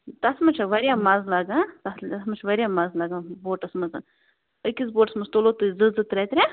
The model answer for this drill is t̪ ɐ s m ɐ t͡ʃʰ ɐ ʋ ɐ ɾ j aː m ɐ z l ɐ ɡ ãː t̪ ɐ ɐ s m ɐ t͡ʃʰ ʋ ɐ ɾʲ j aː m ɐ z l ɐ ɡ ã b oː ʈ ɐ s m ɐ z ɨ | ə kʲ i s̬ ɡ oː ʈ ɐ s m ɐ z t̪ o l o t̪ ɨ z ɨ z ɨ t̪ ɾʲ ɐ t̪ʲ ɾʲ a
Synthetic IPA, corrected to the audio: t̪ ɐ s m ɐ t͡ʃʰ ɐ ʋ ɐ ɾ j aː m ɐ z l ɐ ɡ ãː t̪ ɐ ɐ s m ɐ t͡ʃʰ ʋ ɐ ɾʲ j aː m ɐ z l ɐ ɡ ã b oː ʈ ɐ s m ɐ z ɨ | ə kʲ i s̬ b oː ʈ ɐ s m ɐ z t̪ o l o t̪ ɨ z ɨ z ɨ t̪ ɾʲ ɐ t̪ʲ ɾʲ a